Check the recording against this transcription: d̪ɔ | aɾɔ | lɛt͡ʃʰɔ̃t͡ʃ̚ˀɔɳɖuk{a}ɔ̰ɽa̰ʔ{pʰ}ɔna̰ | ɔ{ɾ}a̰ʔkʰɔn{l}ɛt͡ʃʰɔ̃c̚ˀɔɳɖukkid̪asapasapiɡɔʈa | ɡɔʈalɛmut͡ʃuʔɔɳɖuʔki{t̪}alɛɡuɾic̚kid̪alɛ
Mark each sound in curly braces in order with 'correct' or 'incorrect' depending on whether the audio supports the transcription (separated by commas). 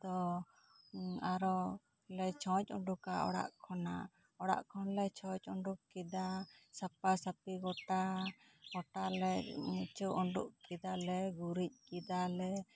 correct, incorrect, incorrect, correct, incorrect